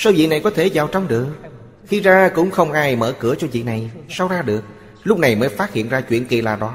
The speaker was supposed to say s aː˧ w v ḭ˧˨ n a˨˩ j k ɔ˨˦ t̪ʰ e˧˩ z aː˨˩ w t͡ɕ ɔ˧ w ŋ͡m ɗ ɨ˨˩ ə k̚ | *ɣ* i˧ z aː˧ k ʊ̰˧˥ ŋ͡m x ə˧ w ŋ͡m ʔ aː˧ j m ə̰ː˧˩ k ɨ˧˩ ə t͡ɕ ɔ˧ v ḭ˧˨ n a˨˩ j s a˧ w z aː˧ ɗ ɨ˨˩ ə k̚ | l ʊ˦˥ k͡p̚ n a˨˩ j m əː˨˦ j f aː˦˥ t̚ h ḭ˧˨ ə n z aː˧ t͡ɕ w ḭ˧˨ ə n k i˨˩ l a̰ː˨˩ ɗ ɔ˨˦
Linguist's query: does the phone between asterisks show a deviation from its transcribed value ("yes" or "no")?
yes